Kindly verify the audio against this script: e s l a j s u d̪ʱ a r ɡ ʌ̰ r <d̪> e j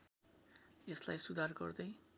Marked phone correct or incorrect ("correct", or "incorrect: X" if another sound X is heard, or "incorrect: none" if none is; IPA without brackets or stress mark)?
correct